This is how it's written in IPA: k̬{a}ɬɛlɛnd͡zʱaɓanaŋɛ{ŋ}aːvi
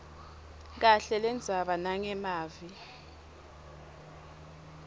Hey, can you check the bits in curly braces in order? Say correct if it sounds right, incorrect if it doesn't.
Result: correct, incorrect

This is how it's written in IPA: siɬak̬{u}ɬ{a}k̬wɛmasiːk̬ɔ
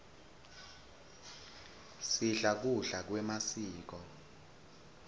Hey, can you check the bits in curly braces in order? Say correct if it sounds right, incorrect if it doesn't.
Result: correct, correct

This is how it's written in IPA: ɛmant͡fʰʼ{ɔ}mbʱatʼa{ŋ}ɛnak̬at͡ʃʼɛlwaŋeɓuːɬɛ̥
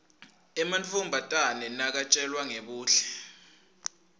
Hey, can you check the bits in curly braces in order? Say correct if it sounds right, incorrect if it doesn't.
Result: incorrect, incorrect

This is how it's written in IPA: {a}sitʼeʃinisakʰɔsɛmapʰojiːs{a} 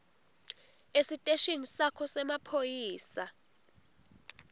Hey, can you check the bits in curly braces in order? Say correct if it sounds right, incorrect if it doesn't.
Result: incorrect, correct

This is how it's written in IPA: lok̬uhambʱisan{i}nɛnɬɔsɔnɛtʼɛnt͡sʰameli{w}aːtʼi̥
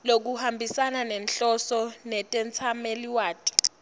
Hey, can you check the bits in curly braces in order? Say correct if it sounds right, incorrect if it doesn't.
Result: incorrect, correct

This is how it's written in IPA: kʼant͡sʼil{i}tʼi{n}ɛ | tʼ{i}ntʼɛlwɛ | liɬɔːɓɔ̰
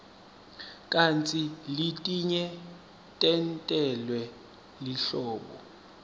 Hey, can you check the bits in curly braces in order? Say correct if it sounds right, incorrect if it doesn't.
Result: correct, incorrect, incorrect

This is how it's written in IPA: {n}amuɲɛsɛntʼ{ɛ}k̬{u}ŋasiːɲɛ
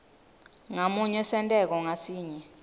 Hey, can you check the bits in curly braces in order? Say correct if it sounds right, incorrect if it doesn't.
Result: incorrect, correct, incorrect

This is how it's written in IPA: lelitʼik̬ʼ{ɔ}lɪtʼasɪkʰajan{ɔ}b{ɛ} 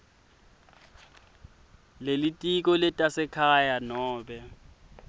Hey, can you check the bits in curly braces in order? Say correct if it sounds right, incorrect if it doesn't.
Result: correct, incorrect, correct

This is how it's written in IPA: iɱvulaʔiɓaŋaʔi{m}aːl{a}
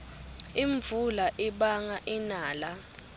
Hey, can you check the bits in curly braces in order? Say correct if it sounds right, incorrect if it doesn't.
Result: incorrect, correct

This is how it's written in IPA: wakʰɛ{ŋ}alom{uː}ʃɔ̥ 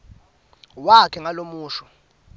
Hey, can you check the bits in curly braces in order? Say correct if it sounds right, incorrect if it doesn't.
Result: correct, correct

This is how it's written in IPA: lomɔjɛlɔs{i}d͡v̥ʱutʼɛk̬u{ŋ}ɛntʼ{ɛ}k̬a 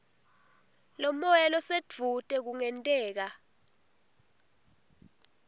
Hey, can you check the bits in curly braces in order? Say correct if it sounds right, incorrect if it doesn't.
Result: incorrect, correct, incorrect

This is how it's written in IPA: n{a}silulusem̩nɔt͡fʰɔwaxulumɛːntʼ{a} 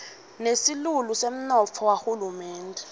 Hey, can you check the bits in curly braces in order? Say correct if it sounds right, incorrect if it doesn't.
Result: incorrect, incorrect

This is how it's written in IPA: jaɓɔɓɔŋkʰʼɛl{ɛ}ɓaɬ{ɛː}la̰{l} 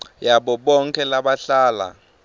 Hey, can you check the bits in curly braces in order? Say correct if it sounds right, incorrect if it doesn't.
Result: incorrect, incorrect, incorrect

